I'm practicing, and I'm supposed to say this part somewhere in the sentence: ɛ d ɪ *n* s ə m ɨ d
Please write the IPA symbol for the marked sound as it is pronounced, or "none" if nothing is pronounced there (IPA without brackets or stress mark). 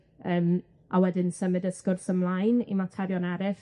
n